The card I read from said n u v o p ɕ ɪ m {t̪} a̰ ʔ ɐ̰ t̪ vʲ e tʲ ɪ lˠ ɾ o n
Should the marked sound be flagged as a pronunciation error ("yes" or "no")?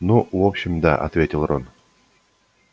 yes